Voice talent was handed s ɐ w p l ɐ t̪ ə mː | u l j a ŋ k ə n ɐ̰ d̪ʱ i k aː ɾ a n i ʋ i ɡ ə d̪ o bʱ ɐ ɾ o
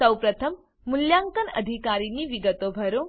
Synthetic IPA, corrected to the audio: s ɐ w p ɾ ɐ t̪ʰ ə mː | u l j a ŋ k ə n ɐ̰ d̪ʱ i k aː ɾ i n i ʋ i ɡ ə t̪ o bʱ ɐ ɾ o

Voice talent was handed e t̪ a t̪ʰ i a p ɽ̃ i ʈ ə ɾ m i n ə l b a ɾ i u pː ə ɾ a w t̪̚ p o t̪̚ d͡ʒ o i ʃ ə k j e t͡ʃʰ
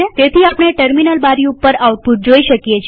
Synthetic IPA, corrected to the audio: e t̪ e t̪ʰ i a p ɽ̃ e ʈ ə ɾ m i n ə l b a ɾ i u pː ə ɾ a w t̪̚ p u t̪̚ d͡ʒ o i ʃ ə k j e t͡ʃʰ

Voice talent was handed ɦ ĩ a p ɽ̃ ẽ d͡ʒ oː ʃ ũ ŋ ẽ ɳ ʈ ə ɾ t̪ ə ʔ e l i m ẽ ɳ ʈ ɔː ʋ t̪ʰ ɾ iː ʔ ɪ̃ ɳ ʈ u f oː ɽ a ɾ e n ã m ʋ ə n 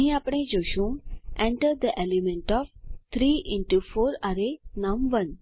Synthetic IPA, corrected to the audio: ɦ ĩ a p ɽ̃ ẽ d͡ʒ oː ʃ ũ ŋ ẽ ɳ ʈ ə ɾ d̪ ə ʔ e l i m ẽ ɳ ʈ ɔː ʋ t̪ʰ ɾ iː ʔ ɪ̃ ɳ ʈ u f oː ɾ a ɾ e n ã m ʋ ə n

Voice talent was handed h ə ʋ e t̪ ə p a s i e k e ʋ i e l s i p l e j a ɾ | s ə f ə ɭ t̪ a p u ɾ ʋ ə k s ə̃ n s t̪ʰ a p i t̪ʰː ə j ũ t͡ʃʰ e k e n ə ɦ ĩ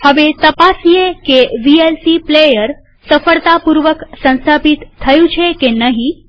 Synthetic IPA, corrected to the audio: h ə ʋ e t̪ ə p a s i e k e ʋ i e l s i p l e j ə ɾ | s ə f ə ɭ t̪ a p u ɾ ʋ ə k s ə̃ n s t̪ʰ a p i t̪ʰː ə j ũ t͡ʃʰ e k e n ə ɦ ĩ

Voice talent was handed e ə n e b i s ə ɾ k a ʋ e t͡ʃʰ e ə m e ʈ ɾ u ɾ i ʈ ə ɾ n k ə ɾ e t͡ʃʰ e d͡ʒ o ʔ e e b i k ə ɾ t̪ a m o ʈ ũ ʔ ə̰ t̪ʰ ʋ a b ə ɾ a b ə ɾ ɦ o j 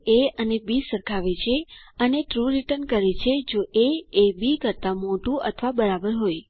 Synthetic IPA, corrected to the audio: e ə n e b i s ə ɾ kʰ a ʋ e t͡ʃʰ e ə n e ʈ ɾ u ɾ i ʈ ə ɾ n k ə ɾ e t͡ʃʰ e d͡ʒ o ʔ e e b i k ə ɾ t̪ a m o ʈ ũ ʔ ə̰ t̪ʰ ʋ a b ə ɾ a b ə ɾ ɦ o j

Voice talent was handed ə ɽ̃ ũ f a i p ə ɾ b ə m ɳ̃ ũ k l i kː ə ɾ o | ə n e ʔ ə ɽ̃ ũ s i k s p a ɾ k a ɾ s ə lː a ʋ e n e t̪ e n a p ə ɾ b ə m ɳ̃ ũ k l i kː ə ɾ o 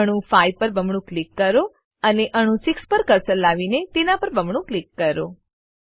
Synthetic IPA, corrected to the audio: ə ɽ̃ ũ f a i p ə ɾ b ə m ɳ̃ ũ k l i kː ə ɾ o | ə n e ʔ ə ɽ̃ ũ s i k s p ə ɾ k ə ɾ s ə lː a ʋ i n e t̪ e n a p ə ɾ b ə m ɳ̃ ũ k l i kː ə ɾ o

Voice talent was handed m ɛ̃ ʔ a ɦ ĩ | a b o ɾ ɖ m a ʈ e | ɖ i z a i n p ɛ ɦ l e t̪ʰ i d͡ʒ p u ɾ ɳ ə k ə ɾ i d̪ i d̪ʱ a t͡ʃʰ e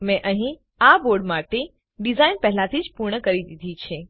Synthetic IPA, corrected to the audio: m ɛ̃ ʔ ə ɦ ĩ | a b o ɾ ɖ m a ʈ e | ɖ i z a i n p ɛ ɦ l a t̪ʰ i d͡ʒ p u ɾ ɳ ə k ə ɾ i d̪ i d̪ʱ i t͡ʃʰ e

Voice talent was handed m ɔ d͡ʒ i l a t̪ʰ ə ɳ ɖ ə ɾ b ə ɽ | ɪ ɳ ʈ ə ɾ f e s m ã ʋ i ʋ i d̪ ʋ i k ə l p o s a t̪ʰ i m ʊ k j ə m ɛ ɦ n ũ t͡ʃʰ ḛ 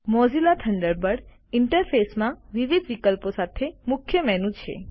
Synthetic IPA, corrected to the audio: m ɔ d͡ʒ i l a t̪ʰ ə ɳ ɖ ə ɾ b ə ɽ | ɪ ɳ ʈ ə ɾ f e s m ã ʋ i ʋ i d̪ ʋ i k ə l p o s a t̪ʰ e m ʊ kʰ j ə m ɛ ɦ n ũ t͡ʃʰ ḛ

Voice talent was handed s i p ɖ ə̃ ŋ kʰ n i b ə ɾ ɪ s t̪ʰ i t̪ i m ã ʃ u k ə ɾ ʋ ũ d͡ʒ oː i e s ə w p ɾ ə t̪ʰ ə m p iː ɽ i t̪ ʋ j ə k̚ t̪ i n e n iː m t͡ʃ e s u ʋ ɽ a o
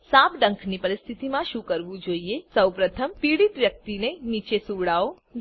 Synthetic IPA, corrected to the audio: s a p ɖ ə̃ ŋ kʰ n i p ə ɾ ɪ s t̪ʰ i t̪ i m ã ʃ u k ə ɾ ʋ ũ d͡ʒ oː i e s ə w p ɾ ə t̪ʰ ə m p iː ɽ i t̪ ʋ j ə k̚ t̪ i n e n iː t͡ʃ e s u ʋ ɽ a o

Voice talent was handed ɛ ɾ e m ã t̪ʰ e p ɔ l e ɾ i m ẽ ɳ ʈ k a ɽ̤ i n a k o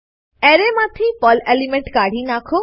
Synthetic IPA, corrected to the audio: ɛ ɾ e m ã t̪ʰ i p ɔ l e l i m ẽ ɳ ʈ k a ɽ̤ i n a kʰ o

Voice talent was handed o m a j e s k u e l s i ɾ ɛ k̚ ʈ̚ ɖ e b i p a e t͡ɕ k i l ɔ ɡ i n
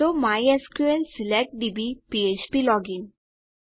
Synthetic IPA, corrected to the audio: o m a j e s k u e l s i l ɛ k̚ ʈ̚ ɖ i b i p i e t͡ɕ p i l ɔ ɡ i n

